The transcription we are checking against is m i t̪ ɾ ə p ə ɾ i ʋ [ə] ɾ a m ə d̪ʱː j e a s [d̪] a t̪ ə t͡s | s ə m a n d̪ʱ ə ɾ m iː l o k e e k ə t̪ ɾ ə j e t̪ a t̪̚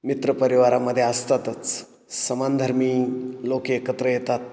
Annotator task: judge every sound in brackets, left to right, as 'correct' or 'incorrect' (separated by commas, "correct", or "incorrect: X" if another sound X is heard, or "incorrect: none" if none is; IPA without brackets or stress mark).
incorrect: a, incorrect: t̪